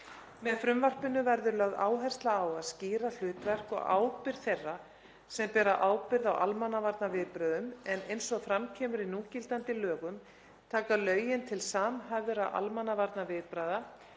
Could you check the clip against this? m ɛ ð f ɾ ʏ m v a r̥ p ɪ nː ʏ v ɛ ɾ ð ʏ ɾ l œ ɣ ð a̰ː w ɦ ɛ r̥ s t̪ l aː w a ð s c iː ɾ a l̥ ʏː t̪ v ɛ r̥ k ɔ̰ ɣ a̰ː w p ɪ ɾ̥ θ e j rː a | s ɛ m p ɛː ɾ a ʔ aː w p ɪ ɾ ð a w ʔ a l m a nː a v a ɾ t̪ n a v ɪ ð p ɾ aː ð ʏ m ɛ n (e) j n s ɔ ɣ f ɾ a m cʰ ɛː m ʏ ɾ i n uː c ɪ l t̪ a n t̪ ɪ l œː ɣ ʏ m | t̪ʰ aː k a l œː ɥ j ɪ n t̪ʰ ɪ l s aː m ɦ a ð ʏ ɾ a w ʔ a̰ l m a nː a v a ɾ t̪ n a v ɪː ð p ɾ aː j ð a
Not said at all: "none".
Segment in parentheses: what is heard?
e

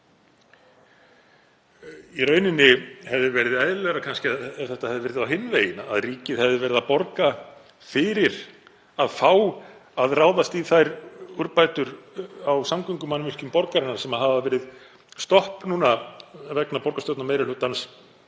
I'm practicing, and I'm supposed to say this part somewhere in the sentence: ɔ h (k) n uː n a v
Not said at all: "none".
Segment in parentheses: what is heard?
p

